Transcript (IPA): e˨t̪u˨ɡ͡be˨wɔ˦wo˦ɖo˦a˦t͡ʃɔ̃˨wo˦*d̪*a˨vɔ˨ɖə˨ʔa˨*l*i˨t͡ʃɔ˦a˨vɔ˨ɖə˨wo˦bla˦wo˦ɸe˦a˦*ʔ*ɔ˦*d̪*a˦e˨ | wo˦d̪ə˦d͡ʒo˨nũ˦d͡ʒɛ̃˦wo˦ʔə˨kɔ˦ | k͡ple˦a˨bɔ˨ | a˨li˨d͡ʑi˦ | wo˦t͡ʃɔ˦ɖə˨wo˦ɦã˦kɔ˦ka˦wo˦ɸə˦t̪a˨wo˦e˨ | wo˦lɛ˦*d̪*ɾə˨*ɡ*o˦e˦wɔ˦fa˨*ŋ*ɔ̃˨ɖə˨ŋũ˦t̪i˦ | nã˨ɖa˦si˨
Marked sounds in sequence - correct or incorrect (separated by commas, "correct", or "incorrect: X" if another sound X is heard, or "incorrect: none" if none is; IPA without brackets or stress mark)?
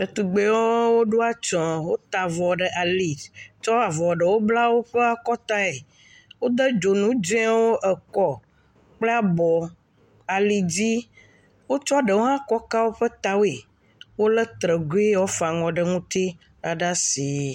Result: incorrect: t̪, correct, incorrect: k, incorrect: t̪, incorrect: t̪, correct, correct